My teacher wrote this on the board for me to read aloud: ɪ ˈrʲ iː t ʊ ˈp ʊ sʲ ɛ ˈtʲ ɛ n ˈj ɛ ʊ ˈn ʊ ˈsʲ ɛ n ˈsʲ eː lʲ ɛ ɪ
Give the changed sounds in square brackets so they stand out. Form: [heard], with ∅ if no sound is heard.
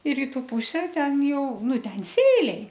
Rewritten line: ɪ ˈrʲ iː t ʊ ˈp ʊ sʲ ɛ ˈtʲ ɛ n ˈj ɛ ʊ ˈn ʊ [ˈtʲ] ɛ n ˈsʲ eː lʲ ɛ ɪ